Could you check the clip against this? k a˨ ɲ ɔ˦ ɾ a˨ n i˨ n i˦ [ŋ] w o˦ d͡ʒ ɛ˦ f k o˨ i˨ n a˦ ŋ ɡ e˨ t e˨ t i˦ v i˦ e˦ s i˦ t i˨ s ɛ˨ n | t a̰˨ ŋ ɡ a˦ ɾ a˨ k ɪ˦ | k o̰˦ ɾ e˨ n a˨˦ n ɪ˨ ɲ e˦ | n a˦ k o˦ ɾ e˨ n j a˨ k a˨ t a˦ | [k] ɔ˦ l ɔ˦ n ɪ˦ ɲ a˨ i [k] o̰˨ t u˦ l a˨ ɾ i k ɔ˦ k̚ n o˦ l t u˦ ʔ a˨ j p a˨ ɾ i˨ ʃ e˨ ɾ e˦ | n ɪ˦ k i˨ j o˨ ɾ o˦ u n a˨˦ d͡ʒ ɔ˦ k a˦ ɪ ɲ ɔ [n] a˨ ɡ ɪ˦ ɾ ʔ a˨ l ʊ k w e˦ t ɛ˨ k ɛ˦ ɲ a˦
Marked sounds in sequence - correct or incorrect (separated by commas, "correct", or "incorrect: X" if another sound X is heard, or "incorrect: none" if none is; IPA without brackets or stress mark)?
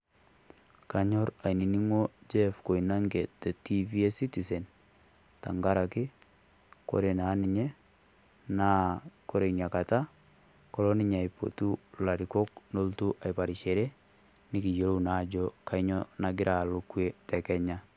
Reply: correct, correct, incorrect: p, correct